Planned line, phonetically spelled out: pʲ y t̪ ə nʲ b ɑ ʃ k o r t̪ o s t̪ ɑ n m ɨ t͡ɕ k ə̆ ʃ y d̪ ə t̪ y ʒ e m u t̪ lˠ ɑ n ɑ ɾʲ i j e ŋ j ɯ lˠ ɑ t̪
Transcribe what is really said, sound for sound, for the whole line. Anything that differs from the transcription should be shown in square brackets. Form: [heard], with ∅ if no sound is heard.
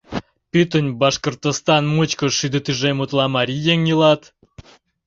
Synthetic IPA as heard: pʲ y t̪ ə nʲ b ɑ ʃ k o r t̪ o s t̪ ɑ n m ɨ t͡ɕ k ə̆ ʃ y d̪ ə t̪ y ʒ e m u t̪ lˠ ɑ [m] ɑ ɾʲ i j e ŋ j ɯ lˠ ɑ t̪

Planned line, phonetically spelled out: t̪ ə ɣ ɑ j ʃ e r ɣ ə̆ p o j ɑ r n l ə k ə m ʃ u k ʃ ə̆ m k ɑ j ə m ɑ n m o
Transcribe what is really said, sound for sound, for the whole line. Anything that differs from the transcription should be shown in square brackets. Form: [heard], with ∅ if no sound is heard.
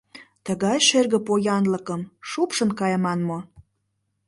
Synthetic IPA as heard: t̪ ə ɣ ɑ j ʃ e r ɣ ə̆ p o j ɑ [∅] n l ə k ə m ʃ u [p] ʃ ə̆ [n] k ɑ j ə m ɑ n m o

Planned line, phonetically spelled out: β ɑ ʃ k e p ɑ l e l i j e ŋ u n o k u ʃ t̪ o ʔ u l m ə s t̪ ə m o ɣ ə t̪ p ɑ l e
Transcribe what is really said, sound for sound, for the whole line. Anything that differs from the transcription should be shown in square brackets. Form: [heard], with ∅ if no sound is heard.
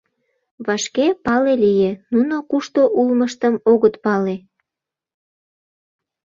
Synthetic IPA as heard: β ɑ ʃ k e p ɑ l e l i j e [n] u n o k u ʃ t̪ o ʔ u l m ə [ʃ] t̪ ə m o ɣ ə t̪ p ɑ l e

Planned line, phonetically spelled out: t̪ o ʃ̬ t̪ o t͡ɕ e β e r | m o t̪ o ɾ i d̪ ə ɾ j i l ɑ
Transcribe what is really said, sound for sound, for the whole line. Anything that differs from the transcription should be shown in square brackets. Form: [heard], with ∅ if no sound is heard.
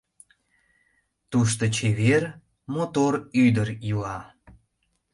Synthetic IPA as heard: t̪ [u] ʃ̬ t̪ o t͡ɕ e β e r | m o t̪ o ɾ [y] d̪ ə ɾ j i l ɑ

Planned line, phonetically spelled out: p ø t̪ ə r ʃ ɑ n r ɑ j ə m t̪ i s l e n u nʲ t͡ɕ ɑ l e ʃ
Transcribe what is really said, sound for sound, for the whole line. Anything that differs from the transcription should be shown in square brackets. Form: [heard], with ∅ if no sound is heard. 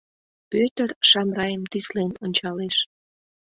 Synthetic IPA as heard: p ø t̪ ə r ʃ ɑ [m] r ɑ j ə m t̪ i s l e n [o] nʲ t͡ɕ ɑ l e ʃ

